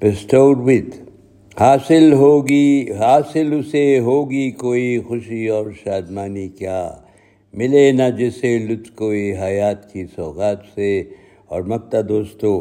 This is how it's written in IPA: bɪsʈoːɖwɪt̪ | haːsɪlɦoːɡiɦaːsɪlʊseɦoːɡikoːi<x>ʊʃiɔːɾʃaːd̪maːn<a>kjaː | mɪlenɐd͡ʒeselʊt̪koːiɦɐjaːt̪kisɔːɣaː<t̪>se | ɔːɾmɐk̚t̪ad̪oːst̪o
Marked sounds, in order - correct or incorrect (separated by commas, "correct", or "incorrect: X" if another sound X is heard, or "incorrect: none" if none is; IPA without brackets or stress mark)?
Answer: correct, incorrect: i, correct